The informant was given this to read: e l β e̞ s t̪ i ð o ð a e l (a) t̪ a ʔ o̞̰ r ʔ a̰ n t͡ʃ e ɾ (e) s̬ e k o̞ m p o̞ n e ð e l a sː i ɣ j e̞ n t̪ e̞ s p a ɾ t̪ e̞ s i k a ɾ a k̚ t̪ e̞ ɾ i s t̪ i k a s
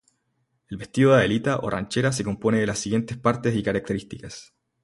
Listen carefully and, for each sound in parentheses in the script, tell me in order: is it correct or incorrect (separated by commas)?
incorrect, incorrect